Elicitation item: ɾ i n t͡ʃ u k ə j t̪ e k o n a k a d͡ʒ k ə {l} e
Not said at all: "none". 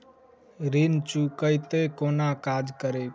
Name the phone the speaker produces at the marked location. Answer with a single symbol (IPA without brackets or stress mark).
ɾ